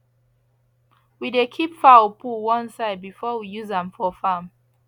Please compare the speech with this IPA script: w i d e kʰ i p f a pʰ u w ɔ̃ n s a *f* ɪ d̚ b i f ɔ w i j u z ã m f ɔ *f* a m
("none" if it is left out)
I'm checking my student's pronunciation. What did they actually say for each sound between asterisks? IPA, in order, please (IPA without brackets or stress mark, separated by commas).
none, f